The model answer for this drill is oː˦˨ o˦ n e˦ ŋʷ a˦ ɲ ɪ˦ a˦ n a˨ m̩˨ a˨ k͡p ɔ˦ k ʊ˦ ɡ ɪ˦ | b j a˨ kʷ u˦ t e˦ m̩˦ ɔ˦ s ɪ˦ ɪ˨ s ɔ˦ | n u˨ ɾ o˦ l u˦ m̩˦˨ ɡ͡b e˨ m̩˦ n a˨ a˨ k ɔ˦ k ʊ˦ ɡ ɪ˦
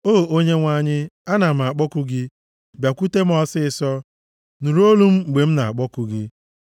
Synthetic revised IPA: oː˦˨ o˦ ɲ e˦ ŋʷ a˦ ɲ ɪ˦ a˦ n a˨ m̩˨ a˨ k͡p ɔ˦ k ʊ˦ ɡ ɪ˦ | b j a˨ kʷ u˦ t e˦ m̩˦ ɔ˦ s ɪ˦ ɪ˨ s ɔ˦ | n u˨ ɾ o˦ l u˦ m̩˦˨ ɡ͡b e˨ m̩˦ n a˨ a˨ k͡p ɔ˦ k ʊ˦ ɡ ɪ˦

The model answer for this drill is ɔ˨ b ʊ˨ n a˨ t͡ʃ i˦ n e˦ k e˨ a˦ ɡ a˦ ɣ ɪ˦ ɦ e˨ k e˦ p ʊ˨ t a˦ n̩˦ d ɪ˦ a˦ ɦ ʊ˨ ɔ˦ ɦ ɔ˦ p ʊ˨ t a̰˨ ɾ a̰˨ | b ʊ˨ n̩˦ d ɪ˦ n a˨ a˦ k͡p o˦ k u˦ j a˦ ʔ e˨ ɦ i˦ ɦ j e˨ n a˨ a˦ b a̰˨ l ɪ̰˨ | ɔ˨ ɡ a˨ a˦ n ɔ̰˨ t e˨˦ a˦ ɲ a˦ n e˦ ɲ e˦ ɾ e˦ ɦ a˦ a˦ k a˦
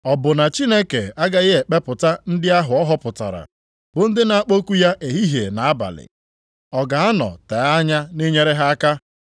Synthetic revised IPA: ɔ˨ b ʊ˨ n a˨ t͡ʃ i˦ n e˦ k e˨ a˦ ɡ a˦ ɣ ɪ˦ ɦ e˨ k͡p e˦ p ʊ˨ t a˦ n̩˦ d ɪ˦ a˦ ɦ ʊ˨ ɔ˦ ɦ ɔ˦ p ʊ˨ t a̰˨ ɾ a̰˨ | b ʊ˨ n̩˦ d ɪ˦ n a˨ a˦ k͡p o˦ k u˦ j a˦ ʔ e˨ ɦ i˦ ɦ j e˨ n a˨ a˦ b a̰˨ l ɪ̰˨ | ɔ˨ ɡ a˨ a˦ n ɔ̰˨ t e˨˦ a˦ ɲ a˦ n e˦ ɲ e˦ ɾ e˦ ɦ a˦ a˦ k a˦

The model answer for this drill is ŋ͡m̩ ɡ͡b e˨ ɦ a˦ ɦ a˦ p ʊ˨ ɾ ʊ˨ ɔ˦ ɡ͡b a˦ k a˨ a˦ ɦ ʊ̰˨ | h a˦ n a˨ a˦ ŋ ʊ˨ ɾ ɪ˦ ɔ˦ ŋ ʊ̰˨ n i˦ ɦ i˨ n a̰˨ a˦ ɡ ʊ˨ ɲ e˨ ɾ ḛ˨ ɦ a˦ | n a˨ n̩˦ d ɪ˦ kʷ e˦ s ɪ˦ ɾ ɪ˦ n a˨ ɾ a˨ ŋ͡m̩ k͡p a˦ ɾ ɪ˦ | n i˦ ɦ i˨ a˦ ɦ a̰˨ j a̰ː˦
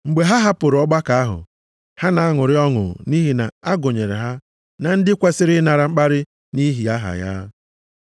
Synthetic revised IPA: ŋ͡m̩ ɡ͡b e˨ ɦ a˦ ɦ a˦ p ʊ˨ ɾ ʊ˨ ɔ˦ ɡ͡b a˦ k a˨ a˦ ɦ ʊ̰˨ | h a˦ n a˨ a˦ ŋ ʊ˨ ɾ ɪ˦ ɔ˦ ŋ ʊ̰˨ n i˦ ɦ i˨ n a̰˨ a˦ ɡ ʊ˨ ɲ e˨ ɾ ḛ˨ ɦ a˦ | n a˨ n̩˦ d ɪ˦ kʷ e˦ s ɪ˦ ɾ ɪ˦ n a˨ ɾ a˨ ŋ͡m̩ k͡p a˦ ɾ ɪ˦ | n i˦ ɦ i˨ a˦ ɦ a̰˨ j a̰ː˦

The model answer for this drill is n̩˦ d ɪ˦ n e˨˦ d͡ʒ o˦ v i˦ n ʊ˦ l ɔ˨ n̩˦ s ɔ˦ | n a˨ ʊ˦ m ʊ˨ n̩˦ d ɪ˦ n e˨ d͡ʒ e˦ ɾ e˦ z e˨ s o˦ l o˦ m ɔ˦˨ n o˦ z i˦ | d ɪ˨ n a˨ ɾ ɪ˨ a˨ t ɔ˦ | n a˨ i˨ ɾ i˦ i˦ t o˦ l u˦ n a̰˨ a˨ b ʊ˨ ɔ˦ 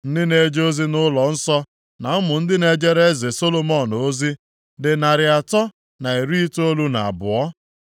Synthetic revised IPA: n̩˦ d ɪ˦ n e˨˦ d͡ʒ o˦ z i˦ n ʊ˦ l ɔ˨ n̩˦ s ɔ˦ | n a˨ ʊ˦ m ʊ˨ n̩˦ d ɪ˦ n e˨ d͡ʒ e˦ ɾ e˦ z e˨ s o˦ l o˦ m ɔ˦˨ n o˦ z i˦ | d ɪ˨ n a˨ ɾ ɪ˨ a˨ t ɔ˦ | n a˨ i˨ ɾ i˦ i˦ t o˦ l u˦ n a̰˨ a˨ b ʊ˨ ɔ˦

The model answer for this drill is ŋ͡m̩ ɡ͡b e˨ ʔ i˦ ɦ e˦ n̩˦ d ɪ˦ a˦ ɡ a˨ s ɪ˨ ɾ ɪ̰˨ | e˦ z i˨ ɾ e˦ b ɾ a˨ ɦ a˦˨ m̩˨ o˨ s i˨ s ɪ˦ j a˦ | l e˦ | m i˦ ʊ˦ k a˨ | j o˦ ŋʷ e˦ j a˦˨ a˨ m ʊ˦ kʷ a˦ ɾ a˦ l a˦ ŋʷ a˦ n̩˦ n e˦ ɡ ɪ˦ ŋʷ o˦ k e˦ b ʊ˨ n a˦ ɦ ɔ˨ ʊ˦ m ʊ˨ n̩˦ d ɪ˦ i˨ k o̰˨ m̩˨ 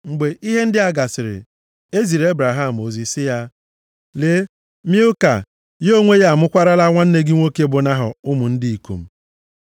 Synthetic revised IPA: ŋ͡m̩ ɡ͡b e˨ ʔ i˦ ɦ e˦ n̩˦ d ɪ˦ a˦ ɡ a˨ s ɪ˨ ɾ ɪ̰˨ | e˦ z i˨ ɾ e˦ b ɾ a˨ ɦ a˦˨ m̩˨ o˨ z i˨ s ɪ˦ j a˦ | l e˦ | m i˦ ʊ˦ k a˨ | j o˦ ŋʷ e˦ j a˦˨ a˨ m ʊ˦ kʷ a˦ ɾ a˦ l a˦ ŋʷ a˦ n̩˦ n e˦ ɡ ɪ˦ ŋʷ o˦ k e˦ b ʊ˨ n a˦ ɦ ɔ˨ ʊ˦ m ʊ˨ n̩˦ d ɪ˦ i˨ k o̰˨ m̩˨

